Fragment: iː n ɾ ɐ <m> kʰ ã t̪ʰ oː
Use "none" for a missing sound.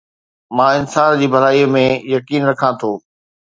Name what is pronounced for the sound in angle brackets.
none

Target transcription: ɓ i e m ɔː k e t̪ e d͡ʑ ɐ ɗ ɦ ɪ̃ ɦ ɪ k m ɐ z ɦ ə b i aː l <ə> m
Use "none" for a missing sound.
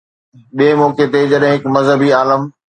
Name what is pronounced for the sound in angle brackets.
ə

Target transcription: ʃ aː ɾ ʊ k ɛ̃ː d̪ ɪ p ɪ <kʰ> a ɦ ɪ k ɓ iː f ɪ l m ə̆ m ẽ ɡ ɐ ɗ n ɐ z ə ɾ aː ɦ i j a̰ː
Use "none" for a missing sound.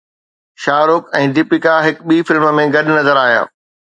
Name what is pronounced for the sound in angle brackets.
k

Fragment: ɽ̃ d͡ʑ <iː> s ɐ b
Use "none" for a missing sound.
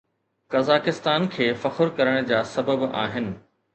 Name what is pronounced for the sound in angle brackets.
aː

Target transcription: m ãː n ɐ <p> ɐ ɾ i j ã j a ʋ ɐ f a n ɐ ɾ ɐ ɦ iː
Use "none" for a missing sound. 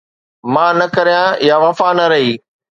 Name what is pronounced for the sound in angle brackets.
k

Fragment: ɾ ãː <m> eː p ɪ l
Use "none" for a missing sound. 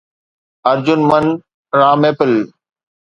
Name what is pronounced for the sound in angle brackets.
m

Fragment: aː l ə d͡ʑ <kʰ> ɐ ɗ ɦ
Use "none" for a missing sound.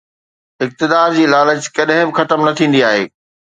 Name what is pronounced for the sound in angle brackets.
k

